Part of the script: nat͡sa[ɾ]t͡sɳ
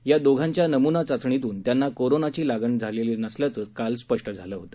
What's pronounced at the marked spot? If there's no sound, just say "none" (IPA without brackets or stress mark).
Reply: none